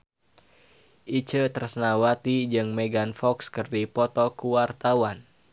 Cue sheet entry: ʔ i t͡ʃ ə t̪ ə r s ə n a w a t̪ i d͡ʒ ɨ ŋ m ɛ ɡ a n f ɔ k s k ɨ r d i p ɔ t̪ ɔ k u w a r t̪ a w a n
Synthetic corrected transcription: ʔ i t͡ʃ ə t̪ ə r s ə n a w a t̪ i d͡ʒ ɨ ŋ m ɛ ɡ a n f ɔ k s k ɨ r d i p ɔ t̪ ɔ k u w a r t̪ a w a n